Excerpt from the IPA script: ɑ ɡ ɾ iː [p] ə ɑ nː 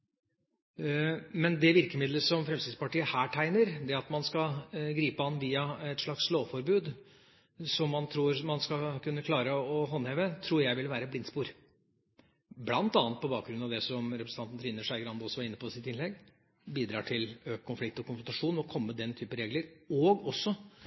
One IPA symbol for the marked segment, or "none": p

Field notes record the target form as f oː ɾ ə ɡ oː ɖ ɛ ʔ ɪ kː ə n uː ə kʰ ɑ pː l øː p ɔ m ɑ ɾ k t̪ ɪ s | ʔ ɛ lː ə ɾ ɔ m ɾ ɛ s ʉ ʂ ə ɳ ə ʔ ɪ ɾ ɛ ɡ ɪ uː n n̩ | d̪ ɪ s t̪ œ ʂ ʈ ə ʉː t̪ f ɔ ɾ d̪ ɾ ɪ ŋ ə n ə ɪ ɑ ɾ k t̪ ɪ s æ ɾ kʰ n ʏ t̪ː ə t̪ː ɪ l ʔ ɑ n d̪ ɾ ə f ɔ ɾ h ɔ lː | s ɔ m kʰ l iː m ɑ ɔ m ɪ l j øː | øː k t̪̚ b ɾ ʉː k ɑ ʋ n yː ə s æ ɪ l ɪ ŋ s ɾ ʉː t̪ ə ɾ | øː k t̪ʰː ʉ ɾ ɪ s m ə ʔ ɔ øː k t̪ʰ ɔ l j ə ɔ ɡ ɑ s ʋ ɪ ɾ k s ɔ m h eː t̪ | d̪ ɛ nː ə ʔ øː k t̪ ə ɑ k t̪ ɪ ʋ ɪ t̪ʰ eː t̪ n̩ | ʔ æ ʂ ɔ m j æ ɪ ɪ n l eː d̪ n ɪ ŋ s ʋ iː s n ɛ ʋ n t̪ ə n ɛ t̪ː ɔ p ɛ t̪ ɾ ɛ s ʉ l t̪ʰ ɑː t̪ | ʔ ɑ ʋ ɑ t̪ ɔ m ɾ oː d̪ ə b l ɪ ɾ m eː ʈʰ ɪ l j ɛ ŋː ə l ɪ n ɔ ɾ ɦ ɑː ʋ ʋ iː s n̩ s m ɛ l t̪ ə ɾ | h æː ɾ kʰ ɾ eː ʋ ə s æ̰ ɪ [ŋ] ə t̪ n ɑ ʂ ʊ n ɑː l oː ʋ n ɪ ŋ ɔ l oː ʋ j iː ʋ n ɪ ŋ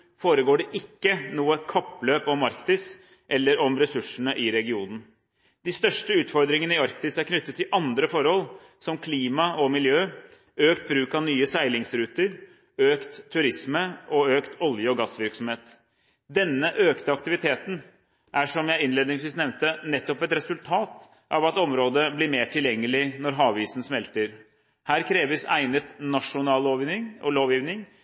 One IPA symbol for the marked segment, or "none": n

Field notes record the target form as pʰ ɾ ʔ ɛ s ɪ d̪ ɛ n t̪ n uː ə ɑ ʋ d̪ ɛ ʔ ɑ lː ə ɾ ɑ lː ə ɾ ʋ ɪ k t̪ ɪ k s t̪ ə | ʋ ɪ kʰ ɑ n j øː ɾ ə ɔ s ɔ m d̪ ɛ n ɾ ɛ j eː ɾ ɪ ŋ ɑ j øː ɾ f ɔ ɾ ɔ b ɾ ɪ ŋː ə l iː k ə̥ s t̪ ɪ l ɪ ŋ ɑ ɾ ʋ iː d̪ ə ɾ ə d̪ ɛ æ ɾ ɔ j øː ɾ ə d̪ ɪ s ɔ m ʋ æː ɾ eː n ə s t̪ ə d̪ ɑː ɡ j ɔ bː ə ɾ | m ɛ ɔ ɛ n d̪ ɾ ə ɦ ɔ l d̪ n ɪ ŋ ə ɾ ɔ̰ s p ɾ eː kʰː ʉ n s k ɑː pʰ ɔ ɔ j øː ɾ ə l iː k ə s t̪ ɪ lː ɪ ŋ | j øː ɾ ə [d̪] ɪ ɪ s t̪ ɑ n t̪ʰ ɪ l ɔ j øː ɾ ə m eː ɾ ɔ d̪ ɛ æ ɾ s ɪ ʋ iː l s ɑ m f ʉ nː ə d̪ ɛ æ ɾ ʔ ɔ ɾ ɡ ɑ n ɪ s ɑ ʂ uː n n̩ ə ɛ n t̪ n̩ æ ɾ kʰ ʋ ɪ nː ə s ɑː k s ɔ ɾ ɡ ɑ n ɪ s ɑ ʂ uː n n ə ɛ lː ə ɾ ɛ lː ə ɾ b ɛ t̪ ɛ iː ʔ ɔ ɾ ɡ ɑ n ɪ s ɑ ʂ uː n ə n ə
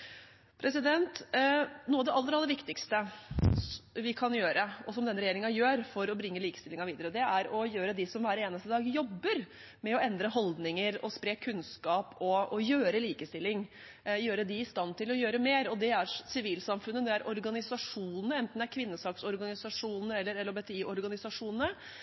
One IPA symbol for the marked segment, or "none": d̪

